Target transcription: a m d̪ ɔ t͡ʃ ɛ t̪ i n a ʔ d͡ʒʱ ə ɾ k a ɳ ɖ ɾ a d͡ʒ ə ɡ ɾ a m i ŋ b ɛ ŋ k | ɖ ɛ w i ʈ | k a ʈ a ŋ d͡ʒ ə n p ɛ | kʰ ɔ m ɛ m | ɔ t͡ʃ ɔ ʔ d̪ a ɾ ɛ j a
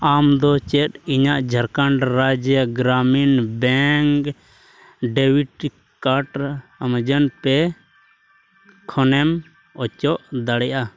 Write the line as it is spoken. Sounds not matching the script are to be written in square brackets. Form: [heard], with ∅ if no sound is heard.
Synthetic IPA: a m d̪ ɔ t͡ʃ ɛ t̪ i [ɲ] a ʔ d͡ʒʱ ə ɾ k a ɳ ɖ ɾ a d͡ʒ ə ɡ ɾ a m i [n] b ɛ ŋ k | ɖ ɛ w i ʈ | k a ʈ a [m] d͡ʒ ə n p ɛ | kʰ ɔ [n] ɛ m | ɔ t͡ʃ ɔ ʔ d̪ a [ɽ] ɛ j a